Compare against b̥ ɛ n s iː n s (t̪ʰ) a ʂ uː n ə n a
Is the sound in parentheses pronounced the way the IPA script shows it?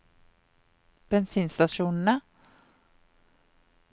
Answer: no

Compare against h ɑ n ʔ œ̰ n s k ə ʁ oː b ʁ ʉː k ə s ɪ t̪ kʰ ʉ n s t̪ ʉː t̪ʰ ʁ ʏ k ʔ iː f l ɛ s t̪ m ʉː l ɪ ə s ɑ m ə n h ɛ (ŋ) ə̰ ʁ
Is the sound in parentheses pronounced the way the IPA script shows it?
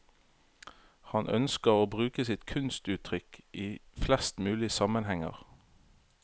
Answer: yes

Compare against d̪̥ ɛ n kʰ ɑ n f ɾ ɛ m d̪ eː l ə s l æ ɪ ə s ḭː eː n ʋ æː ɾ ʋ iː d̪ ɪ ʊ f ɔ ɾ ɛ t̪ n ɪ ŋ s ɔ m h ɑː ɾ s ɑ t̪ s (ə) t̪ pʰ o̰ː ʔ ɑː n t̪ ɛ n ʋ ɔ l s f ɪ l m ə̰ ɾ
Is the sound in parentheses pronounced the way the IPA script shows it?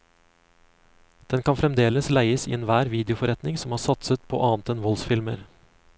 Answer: yes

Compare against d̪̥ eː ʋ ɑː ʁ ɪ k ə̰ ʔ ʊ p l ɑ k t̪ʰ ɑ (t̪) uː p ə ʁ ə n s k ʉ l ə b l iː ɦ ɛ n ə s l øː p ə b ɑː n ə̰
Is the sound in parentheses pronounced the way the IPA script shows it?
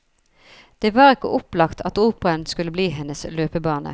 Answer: yes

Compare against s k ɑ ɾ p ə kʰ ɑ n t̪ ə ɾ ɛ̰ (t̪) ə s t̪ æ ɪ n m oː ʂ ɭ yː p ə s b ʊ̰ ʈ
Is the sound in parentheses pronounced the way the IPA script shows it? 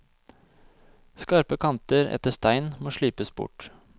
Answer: yes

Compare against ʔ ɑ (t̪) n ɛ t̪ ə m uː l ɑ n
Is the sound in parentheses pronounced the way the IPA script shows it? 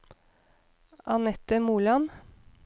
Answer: no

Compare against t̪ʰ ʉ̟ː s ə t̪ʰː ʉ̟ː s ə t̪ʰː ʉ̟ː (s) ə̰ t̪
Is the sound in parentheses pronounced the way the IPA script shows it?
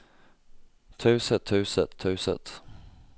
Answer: yes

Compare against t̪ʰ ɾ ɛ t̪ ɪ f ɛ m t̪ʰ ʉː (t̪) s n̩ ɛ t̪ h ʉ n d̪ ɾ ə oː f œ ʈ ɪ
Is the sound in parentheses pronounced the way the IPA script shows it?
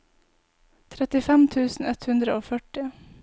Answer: no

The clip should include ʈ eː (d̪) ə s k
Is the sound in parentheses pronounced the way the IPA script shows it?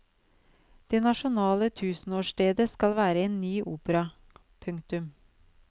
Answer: yes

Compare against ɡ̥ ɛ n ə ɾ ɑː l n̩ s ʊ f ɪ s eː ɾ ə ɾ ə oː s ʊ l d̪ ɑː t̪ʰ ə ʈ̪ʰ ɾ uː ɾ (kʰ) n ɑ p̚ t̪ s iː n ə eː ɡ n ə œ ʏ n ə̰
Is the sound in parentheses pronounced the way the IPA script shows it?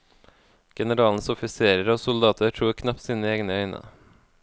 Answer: yes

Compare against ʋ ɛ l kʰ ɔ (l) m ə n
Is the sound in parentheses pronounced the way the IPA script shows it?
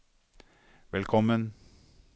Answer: no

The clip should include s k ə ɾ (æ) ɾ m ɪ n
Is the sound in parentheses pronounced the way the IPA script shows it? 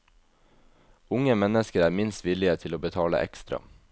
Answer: no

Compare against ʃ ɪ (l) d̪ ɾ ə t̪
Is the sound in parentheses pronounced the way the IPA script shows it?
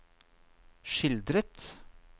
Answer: yes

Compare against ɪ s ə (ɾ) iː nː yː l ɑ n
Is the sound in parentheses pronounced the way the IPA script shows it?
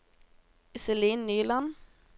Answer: no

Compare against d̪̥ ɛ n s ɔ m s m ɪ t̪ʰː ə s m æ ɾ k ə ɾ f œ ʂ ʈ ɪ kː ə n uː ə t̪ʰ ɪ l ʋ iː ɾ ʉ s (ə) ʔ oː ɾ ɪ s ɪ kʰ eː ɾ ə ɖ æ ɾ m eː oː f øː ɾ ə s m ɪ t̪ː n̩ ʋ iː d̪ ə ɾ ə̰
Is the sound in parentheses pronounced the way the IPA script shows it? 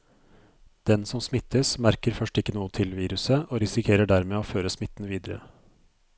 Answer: yes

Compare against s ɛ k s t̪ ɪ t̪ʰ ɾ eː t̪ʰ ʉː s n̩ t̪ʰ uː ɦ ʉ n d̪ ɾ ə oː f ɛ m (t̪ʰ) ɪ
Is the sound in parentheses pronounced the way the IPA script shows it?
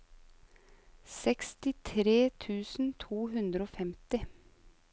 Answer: no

